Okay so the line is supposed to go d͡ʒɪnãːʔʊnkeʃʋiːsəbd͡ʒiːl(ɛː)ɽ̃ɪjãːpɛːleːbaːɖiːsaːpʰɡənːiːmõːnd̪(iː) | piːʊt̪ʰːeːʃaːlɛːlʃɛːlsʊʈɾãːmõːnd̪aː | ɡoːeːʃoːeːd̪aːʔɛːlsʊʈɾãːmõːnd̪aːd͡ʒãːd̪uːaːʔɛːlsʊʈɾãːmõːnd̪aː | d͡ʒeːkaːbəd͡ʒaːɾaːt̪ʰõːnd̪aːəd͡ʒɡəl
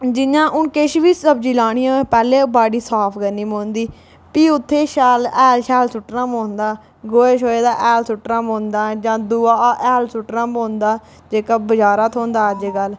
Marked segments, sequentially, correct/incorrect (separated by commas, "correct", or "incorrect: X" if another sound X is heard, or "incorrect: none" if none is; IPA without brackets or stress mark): incorrect: aː, correct